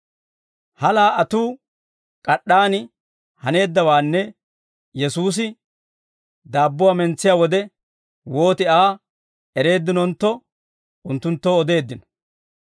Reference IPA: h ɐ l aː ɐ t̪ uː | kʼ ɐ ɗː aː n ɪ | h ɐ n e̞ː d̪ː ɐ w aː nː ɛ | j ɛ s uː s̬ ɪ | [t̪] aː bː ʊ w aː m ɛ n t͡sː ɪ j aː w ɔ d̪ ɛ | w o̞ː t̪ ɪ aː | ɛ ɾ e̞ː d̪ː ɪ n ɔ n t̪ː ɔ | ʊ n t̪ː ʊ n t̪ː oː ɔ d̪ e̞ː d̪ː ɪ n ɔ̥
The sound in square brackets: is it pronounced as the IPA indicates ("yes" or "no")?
no